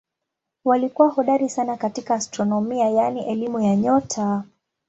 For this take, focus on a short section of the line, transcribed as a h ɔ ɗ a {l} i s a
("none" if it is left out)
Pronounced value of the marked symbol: ɾ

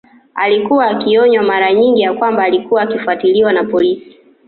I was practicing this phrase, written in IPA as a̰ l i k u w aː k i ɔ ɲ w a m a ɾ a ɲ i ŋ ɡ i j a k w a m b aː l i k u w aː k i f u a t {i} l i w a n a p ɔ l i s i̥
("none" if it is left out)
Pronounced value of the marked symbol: i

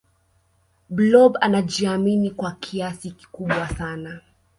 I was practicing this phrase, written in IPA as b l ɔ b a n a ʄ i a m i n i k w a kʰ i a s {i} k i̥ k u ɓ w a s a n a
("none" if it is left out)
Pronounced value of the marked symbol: i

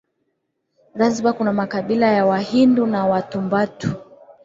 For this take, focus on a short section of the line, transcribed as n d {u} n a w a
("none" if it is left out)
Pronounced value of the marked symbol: u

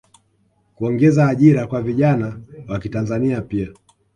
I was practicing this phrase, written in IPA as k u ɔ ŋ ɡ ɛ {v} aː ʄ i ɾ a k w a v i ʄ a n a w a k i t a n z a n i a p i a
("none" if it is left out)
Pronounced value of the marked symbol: z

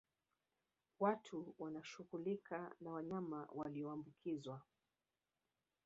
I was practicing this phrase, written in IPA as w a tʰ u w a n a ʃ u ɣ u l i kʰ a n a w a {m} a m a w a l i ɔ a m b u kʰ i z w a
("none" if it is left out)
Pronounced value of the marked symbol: ɲ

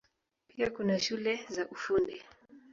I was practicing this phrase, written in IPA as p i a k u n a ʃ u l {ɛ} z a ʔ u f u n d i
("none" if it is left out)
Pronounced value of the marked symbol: ɛ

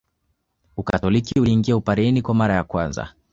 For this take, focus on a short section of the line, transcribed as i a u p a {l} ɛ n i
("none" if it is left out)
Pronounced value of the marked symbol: ɾ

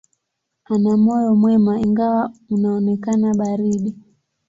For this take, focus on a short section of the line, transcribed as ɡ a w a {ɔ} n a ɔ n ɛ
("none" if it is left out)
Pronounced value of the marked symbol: u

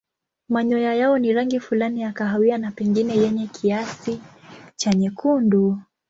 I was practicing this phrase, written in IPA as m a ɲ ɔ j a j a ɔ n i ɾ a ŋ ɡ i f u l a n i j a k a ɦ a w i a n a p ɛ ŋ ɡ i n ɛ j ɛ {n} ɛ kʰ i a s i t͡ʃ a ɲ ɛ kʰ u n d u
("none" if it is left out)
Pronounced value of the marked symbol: ɲ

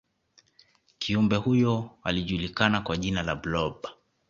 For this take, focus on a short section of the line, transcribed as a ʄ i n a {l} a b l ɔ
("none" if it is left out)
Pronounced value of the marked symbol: l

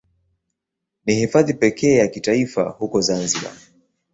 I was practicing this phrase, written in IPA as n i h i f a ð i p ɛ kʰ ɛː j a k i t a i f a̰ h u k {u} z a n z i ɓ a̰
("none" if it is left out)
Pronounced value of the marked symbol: ɔ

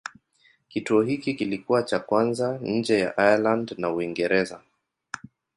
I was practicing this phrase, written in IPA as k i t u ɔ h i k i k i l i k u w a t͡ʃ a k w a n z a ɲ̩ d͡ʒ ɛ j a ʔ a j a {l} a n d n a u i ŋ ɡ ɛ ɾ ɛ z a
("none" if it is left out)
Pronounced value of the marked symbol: l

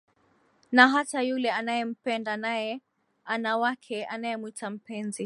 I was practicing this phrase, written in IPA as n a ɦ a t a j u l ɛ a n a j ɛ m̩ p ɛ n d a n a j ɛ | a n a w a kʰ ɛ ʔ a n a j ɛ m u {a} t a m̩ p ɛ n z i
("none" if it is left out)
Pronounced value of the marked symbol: i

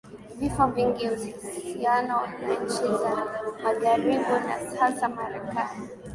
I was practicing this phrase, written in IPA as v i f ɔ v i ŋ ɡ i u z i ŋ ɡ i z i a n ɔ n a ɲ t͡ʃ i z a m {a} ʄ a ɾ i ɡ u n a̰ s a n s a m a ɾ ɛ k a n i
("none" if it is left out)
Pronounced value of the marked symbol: a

